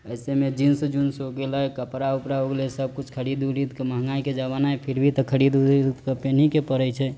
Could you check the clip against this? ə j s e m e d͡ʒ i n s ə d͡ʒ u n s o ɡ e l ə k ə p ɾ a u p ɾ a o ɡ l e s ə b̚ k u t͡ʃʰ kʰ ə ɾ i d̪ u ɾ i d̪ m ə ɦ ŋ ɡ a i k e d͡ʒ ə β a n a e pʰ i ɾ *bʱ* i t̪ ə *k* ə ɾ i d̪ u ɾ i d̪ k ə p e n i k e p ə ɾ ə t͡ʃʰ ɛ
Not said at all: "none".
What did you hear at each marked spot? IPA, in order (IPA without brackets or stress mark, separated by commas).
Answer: bʱ, kʰ